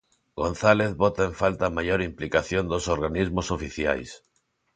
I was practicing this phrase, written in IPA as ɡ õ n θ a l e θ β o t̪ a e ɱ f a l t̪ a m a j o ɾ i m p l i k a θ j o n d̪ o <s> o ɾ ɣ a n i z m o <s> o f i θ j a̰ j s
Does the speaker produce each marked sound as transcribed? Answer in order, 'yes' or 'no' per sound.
yes, yes

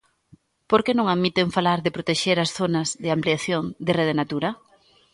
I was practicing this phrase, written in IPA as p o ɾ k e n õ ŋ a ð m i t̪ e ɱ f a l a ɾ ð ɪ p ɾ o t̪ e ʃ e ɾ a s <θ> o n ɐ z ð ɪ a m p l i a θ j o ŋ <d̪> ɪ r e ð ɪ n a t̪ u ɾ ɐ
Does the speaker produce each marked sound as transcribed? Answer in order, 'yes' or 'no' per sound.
yes, yes

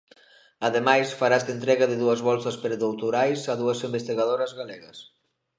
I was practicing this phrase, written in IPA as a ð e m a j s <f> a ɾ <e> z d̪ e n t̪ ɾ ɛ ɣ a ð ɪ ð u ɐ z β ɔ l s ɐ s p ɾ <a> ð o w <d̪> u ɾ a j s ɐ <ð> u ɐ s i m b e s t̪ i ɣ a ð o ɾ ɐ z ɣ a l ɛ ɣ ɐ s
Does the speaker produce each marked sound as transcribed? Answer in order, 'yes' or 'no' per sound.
yes, no, no, no, yes

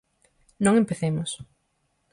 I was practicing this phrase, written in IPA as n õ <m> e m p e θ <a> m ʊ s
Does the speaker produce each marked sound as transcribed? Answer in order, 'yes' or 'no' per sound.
no, no

